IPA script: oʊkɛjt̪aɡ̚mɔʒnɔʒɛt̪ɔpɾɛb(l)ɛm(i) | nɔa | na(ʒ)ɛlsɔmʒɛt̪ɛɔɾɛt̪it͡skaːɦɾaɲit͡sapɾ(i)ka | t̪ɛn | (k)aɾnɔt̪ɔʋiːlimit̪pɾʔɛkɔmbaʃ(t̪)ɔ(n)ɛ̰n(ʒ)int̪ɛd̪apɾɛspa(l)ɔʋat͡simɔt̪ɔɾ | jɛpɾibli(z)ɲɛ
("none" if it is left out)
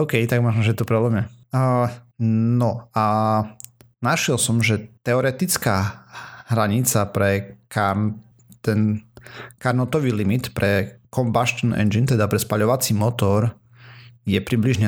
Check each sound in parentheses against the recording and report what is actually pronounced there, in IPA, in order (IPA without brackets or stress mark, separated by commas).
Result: l, ɛ, ʃ, ɛ, k, t̪, n, d͡ʒ, ʎ, ʒ